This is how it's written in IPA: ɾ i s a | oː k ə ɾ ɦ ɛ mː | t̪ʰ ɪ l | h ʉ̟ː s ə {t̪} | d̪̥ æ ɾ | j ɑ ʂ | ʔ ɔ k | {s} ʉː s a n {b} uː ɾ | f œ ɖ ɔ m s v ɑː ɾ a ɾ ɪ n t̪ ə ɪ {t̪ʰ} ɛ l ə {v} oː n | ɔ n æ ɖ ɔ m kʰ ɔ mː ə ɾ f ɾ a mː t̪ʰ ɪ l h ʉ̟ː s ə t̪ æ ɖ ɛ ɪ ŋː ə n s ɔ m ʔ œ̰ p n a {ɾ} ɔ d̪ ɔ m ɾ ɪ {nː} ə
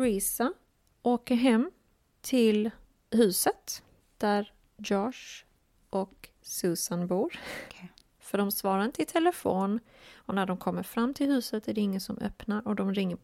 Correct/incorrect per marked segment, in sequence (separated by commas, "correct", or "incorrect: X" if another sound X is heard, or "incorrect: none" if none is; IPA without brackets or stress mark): correct, correct, correct, correct, incorrect: f, correct, incorrect: ŋː